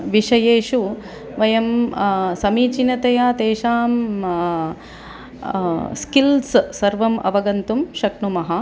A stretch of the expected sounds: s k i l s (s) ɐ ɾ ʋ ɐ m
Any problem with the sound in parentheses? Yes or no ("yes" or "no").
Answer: no